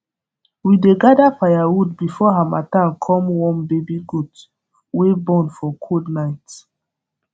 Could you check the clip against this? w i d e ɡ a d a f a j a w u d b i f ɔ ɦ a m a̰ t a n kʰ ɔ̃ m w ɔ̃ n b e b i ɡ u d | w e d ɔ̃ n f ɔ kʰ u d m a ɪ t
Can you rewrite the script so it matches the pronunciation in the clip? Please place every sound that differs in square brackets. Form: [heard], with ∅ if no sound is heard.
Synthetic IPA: w i d e ɡ a d a f a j a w u d b i f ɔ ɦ a m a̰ t a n kʰ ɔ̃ m w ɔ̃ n b e b i ɡ u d | w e [b] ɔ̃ n f ɔ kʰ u d [n] a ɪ t

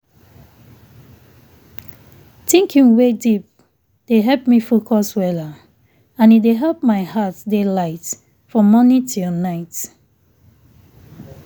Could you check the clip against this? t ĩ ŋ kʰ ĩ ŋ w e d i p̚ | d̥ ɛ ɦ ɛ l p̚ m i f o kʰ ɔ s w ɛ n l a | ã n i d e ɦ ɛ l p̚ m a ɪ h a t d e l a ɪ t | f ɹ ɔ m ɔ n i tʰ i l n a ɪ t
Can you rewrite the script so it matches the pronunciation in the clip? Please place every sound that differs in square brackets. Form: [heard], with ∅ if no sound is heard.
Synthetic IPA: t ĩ ŋ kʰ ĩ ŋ w e d i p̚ | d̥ [e] ɦ ɛ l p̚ m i f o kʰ ɔ s w ɛ [∅] l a | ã n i d e ɦ ɛ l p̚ m a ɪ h a t d e l a ɪ t | f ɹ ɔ m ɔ n i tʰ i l n a ɪ t

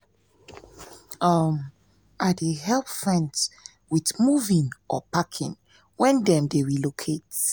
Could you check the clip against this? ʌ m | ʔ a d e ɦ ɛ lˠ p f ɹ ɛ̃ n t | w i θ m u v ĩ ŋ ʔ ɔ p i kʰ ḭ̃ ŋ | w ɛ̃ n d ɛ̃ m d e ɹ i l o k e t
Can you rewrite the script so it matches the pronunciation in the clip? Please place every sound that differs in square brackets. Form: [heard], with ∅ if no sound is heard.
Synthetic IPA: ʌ m | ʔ a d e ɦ ɛ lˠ p f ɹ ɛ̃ n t | w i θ m u v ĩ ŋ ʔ ɔ p [a] kʰ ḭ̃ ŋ | w ɛ̃ n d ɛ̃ m d e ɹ i l o [kʰ] e t

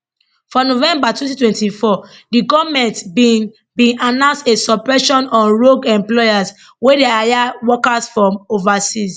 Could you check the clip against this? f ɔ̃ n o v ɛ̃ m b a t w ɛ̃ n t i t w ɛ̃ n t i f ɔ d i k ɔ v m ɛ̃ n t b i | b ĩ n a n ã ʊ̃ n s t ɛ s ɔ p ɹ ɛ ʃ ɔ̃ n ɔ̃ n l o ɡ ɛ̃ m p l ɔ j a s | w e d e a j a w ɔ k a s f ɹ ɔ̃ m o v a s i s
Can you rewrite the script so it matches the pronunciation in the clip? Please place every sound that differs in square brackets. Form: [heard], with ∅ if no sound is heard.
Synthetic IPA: f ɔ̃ n o v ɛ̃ m b a t w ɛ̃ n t i t w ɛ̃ n t i f ɔ d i [ɡ] ɔ v m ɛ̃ n t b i | b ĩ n a n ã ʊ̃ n s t [e] s ɔ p ɹ ɛ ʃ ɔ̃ n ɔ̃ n [ɹ] o ɡ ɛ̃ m p l ɔ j a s | w e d e a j a w ɔ k a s f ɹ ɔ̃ m o v a s i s

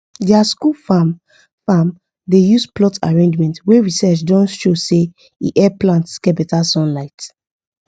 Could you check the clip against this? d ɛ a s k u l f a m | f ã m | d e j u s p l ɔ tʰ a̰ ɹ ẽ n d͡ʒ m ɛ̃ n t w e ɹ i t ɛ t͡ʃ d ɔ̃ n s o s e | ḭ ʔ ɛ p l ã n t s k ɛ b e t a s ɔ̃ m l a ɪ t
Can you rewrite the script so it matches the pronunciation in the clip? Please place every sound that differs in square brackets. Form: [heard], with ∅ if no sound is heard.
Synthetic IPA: d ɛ a s k u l f a m | f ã m | d e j u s p l ɔ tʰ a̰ ɹ ẽ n d͡ʒ m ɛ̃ n t w e ɹ i [s] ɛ t͡ʃ d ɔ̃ n [ʃ] o s e | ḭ ʔ ɛ p l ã n t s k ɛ b [ɛ] t a s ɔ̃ [n] l a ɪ t

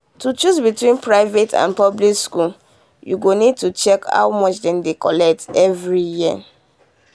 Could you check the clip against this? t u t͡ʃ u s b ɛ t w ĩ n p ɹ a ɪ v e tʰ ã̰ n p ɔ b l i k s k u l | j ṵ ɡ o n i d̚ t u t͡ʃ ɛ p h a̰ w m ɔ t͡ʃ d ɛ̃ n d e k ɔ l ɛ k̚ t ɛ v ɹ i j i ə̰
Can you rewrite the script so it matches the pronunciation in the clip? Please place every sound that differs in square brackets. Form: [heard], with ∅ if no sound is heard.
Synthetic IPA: t u t͡ʃ u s b [i] t w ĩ n p ɹ a ɪ v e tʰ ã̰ n p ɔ b l i k s k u l | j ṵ ɡ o n i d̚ t u t͡ʃ ɛ [k] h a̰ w m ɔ t͡ʃ d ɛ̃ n d e k ɔ l ɛ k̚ t ɛ v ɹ i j i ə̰

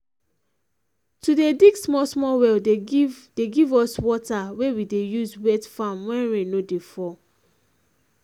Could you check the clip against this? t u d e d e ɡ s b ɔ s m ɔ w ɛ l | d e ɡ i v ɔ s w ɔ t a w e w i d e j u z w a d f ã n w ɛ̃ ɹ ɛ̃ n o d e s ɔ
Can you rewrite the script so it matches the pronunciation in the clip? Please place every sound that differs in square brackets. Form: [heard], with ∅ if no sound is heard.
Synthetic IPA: t u d e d [i] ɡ s [m] ɔ s m ɔ w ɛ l | d e ɡ i v ɔ s w ɔ t a w e w i d e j u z w [ɛ] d f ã [m] w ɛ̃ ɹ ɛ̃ n o d e [f] ɔ

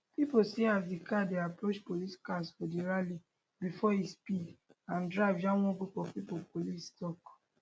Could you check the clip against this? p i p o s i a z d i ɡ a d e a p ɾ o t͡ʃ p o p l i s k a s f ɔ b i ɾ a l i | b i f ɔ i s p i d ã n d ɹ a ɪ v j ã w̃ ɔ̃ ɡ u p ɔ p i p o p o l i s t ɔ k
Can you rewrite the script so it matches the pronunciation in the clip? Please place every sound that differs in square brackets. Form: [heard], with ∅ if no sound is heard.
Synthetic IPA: p i p o s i a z d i [k] a d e a p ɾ o t͡ʃ p o [∅] l i s k a s f ɔ [d] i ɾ a l i | b i f ɔ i s p i d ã n d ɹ a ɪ v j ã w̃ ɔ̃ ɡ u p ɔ p i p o p o l i s t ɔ k

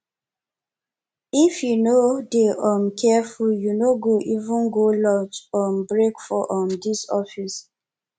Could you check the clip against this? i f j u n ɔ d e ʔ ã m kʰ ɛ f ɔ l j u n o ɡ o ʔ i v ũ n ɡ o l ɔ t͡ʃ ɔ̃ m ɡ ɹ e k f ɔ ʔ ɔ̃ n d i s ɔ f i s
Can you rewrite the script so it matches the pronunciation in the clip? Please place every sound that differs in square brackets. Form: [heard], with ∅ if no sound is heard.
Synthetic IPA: i f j u n [o] d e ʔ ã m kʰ ɛ f [u] l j u n o ɡ o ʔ i v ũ n ɡ o l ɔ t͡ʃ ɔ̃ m [b] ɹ e k f ɔ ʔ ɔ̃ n d i s ɔ f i s

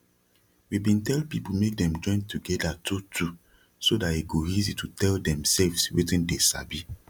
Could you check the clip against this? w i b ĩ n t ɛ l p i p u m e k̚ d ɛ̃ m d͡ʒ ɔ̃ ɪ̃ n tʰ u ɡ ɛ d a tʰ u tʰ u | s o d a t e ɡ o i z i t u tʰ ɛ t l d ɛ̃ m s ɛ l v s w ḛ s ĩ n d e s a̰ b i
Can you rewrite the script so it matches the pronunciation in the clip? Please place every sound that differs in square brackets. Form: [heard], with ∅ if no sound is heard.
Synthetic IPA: w i b ĩ n t ɛ l p i p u m e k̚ d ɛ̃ m d͡ʒ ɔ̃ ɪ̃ n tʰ u ɡ ɛ d a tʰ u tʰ u | s o d a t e ɡ o i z i t u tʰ ɛ [∅] l d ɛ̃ m s ɛ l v s w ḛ [t] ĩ n d e s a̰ b i

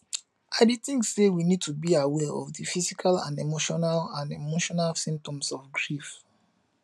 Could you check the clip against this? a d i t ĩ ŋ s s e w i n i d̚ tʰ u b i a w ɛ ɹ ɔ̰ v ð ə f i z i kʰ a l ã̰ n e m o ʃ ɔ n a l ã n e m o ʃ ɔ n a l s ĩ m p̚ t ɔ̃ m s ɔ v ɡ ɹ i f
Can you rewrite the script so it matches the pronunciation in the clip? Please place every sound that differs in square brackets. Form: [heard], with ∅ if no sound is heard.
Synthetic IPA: a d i t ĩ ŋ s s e w i n i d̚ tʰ u b i a w ɛ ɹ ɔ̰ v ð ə f i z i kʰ a l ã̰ n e m o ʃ ɔ n a l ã n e m o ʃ ɔ n a l s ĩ m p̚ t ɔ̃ m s ɔ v ɡ ɹ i f

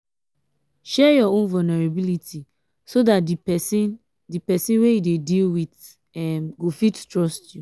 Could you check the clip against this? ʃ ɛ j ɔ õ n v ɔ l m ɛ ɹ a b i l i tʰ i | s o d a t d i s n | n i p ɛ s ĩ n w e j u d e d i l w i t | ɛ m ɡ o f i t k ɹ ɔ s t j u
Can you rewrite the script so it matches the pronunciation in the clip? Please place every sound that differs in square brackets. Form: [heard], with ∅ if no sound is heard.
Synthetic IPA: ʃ ɛ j ɔ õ n v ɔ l [n] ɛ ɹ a b i l i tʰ i | s o d a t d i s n | [d] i p ɛ s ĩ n w e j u d e d i l w i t | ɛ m ɡ o f i t [t] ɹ ɔ s t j u

